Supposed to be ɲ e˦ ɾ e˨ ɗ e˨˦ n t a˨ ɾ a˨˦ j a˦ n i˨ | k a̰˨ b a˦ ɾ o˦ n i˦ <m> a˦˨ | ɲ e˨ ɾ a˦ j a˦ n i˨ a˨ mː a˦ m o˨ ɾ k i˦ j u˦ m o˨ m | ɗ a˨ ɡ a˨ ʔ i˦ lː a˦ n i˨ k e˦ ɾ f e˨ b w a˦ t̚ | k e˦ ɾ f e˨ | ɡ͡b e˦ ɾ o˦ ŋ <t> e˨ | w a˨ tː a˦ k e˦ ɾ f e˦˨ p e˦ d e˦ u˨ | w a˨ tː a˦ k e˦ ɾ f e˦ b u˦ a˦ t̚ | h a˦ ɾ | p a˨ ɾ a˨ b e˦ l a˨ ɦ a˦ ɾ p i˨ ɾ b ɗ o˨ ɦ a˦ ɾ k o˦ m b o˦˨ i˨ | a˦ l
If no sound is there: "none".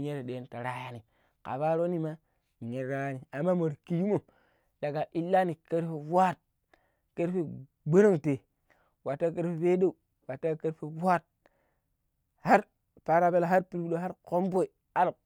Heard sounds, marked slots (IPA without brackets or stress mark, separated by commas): m, t